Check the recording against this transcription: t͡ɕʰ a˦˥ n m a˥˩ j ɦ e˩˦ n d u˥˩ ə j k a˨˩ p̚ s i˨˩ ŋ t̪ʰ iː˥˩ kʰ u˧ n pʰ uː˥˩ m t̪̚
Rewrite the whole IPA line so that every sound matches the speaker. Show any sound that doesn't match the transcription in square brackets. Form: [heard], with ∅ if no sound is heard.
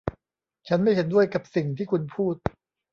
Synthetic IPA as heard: t͡ɕʰ a˦˥ n m a˥˩ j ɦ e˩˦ n d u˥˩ ə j k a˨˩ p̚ s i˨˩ ŋ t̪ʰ iː˥˩ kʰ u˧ n pʰ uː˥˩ [∅] t̪̚